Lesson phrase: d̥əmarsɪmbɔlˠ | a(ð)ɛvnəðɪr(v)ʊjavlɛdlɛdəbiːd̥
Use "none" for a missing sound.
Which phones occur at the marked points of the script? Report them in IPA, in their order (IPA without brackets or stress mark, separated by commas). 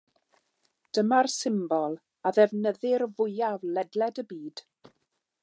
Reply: ð, v